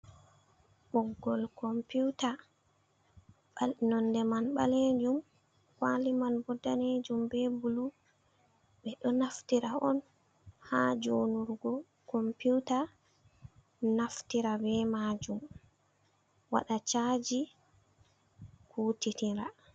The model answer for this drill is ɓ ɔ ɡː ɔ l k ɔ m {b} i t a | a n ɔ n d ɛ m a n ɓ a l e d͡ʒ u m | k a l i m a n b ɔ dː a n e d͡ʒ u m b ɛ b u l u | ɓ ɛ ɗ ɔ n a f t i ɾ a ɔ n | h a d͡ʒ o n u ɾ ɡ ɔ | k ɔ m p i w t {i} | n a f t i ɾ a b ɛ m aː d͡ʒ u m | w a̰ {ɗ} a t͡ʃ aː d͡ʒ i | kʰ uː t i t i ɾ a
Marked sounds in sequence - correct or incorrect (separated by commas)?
incorrect, incorrect, correct